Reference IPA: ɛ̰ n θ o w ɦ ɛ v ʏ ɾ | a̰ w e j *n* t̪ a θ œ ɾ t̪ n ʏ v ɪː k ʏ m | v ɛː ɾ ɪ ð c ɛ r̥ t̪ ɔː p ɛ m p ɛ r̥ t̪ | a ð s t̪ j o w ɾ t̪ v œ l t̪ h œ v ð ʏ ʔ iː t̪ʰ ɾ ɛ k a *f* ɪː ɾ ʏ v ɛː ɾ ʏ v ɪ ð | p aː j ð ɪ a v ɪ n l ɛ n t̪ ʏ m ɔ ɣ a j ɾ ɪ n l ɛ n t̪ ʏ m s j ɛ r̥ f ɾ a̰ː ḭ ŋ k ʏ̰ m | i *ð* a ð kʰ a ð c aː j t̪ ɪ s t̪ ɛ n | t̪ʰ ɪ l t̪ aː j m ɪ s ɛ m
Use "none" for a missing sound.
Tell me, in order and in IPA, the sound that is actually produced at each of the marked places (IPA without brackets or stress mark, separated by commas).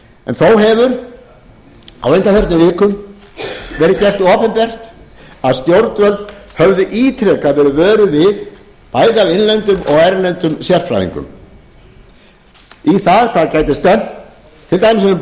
n, v, θ